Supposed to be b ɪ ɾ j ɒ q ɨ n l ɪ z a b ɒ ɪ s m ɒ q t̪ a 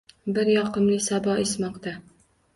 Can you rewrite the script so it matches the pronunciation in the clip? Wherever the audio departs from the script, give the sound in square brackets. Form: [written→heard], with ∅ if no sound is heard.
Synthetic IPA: b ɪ ɾ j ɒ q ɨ [n→m] l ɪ [z→s] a b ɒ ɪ s m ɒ q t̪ a